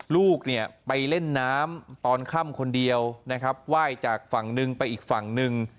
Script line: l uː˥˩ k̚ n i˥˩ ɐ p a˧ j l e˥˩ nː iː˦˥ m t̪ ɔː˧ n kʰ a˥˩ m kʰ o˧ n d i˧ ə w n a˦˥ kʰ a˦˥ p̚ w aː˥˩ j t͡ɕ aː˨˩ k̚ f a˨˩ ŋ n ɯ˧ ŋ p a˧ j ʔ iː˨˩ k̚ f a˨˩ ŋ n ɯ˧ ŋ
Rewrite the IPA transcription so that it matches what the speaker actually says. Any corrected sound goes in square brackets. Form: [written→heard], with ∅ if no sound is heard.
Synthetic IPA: l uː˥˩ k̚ n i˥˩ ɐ p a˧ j l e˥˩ nː [iː˦˥→aː˦˥] m t̪ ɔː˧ n kʰ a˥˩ m kʰ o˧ n d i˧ ə w n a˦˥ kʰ a˦˥ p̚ w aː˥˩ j t͡ɕ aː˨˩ k̚ f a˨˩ ŋ n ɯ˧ ŋ p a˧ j ʔ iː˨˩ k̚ f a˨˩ ŋ n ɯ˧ ŋ